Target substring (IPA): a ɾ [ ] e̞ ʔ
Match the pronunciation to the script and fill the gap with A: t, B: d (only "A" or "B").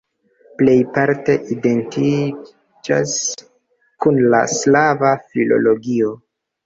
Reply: A